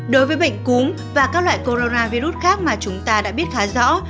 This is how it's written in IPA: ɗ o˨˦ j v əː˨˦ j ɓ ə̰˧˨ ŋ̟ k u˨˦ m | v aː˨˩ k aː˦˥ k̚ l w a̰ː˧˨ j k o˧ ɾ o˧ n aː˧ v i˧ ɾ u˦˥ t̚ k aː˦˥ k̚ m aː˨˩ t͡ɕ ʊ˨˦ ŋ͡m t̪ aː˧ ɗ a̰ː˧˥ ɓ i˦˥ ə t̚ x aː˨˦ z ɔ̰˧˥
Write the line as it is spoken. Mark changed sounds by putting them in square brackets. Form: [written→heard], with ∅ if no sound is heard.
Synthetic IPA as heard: ɗ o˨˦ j v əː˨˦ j ɓ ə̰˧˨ ŋ̟ k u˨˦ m | v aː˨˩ k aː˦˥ k̚ l w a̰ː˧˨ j k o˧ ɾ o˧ n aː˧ v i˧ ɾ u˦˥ t̚ [k→x] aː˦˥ k̚ m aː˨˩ t͡ɕ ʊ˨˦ ŋ͡m t̪ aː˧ ɗ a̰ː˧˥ ɓ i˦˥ ə t̚ x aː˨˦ z ɔ̰˧˥